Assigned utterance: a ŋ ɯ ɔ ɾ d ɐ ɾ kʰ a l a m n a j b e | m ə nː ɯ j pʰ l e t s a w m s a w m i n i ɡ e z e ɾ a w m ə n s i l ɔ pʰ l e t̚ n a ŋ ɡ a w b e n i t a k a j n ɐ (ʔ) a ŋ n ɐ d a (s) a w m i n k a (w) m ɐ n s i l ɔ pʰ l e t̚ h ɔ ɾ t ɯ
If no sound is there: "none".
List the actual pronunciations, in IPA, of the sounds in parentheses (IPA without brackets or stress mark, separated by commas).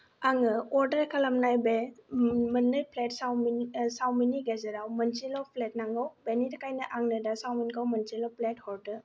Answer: ʔ, s, w